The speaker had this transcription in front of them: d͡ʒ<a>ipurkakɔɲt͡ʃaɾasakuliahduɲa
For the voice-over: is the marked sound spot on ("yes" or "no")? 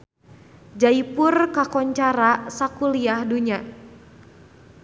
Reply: yes